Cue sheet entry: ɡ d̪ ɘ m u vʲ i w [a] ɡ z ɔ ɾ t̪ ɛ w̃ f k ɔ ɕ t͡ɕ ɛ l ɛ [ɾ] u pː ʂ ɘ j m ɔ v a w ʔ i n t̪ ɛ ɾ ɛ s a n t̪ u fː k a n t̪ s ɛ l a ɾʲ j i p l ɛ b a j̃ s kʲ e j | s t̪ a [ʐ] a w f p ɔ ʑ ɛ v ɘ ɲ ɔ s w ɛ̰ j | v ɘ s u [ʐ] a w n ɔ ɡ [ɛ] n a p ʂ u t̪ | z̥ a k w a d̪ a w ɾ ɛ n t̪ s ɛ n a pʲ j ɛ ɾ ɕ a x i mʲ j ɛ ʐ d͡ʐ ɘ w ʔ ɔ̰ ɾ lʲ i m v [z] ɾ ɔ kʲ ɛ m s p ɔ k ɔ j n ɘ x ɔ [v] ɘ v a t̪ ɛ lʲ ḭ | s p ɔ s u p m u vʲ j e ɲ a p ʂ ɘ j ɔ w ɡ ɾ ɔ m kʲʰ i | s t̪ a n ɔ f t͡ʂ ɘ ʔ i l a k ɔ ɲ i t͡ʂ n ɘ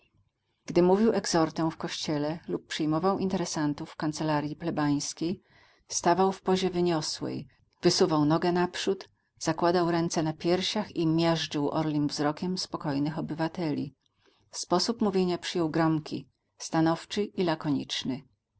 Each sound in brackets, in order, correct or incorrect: incorrect: ɛ, incorrect: l, incorrect: v, incorrect: v, correct, correct, incorrect: b

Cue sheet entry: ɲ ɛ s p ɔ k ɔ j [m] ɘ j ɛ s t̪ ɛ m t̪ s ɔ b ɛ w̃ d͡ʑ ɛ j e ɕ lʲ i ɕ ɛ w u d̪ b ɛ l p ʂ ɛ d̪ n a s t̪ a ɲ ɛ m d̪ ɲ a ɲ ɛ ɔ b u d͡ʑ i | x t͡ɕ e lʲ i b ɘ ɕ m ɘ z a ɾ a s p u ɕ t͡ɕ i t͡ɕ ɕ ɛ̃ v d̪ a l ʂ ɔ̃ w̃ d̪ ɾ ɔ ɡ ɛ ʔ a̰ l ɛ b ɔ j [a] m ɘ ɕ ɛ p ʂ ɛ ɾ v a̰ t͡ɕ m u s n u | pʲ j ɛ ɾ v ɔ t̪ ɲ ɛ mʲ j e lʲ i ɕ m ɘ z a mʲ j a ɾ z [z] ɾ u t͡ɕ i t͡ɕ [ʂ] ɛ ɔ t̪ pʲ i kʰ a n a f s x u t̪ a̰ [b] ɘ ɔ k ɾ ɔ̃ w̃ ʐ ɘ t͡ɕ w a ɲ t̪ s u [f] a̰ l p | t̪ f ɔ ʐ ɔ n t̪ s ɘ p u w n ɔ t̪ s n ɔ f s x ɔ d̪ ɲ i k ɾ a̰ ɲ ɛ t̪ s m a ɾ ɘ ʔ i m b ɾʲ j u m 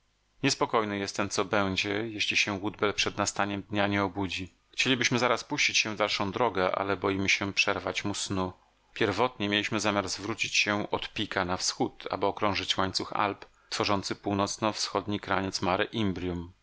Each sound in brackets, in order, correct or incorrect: incorrect: n, incorrect: i, incorrect: v, incorrect: ɕ, correct, incorrect: x

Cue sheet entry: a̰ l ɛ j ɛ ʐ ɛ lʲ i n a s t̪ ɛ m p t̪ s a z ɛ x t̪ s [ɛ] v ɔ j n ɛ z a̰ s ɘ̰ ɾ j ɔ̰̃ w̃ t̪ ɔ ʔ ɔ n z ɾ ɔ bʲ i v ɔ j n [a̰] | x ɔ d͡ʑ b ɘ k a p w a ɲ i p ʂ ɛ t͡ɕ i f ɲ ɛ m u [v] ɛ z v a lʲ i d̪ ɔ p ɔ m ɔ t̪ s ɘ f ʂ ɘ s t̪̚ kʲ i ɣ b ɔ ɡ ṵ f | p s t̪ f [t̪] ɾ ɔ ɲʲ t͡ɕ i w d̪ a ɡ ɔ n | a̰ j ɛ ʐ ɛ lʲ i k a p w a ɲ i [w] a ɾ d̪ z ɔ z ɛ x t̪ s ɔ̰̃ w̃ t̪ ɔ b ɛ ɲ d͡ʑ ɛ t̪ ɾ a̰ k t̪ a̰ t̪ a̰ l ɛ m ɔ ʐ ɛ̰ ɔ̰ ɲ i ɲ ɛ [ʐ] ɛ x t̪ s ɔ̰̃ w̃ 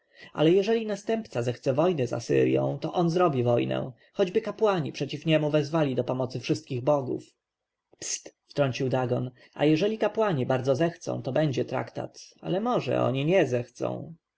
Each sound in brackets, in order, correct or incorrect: correct, incorrect: ɛ̰, correct, correct, incorrect: b, incorrect: z

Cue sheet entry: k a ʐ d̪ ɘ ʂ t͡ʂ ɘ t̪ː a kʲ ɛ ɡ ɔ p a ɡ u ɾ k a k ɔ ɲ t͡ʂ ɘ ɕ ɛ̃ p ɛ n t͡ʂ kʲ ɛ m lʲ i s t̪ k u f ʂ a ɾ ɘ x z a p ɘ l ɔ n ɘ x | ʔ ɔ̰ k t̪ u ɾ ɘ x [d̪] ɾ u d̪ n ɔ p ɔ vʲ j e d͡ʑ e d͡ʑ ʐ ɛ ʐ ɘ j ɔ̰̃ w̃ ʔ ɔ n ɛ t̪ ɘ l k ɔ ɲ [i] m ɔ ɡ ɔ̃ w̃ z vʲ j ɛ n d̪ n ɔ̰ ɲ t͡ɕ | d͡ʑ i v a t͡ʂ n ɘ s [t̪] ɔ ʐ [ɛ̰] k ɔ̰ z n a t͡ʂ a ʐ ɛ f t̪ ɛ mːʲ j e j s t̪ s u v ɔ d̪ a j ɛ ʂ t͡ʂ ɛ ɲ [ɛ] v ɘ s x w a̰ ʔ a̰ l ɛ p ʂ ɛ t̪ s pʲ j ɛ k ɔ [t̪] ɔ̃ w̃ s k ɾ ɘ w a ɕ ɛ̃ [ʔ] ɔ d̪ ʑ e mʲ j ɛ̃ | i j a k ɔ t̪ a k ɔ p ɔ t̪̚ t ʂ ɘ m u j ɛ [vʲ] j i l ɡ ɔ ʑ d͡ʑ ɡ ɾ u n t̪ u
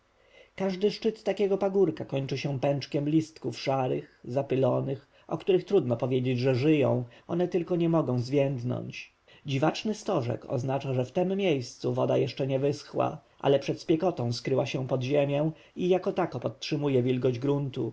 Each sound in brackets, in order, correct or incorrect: incorrect: t̪, incorrect: ɛ, correct, correct, correct, correct, incorrect: p, correct

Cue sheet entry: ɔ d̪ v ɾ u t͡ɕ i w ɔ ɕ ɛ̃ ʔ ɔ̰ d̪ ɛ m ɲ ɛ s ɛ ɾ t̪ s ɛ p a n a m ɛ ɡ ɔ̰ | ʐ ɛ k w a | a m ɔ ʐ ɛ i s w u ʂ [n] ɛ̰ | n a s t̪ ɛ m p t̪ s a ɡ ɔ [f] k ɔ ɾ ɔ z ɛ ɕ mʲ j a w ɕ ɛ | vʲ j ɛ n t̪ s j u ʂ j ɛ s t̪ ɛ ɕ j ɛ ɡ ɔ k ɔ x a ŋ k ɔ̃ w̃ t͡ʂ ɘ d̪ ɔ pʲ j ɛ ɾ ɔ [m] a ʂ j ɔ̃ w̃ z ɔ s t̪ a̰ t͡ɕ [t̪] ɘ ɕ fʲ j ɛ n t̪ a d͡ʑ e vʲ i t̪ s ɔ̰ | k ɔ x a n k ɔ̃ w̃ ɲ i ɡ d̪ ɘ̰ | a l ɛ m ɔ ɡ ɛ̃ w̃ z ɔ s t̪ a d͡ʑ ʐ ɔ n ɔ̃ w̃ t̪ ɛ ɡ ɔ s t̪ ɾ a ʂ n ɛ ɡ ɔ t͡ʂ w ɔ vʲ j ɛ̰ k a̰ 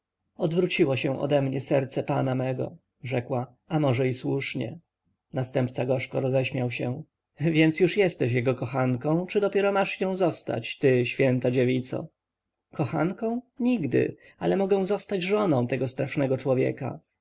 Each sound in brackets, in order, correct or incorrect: incorrect: ɲ, incorrect: ʂ, correct, correct

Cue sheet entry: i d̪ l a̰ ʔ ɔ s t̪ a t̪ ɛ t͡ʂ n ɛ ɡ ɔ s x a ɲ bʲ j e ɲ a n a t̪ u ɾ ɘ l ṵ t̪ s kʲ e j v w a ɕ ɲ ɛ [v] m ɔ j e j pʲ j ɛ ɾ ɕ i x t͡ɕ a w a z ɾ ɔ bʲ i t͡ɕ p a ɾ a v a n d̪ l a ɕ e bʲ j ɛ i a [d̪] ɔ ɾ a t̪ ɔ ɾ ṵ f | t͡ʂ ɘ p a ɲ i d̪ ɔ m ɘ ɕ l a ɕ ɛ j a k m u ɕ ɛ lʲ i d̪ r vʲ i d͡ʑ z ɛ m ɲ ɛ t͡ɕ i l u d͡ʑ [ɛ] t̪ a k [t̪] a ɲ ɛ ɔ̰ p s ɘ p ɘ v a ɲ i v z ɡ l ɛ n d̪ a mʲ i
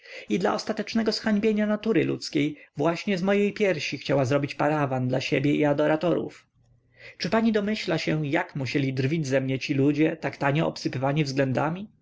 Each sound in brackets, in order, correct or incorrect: incorrect: z, correct, correct, correct

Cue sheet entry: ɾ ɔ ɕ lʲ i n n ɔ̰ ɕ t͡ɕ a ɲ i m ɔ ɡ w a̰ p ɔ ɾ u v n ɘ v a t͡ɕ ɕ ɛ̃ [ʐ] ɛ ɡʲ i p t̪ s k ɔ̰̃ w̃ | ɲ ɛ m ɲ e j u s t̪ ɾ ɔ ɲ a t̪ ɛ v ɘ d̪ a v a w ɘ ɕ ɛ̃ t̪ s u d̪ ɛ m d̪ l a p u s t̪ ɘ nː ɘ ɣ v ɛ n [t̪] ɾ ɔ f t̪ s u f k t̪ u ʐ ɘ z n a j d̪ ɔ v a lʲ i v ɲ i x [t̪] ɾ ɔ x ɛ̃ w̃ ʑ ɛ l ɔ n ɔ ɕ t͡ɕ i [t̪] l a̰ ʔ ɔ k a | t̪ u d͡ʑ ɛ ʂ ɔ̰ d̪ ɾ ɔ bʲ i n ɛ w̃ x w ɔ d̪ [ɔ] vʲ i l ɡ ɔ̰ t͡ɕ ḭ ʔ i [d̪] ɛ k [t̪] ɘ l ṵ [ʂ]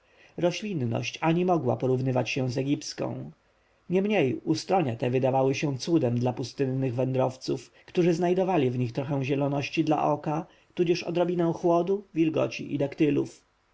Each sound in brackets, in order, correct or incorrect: incorrect: z, incorrect: d̪, correct, incorrect: d̪, incorrect: u, correct, correct, incorrect: f

